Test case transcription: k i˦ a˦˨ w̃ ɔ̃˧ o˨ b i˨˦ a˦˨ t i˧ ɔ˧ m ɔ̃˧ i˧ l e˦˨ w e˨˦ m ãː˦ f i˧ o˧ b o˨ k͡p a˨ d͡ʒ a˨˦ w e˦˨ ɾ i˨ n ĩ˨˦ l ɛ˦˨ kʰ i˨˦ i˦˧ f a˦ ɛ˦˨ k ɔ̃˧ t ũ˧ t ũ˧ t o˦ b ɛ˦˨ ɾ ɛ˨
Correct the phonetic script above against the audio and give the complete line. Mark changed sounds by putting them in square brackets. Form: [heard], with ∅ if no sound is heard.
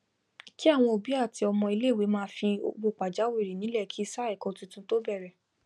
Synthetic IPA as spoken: k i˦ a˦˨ w̃ ɔ̃˧ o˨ b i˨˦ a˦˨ t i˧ ɔ˧ m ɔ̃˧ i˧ l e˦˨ w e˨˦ m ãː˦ f i˧ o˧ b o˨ k͡p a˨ d͡ʒ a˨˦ w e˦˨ ɾ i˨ n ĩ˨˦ l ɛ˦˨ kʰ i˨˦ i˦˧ [s] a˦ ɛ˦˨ k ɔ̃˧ t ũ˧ t ũ˧ t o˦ b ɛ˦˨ ɾ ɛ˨